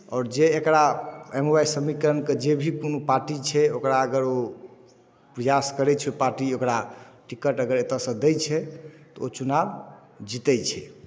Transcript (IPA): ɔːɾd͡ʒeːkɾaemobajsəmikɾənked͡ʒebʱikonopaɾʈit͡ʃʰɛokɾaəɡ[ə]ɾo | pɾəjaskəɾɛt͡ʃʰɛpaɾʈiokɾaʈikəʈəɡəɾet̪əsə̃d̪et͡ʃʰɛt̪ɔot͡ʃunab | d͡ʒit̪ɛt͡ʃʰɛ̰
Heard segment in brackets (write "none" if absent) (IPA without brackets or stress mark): ə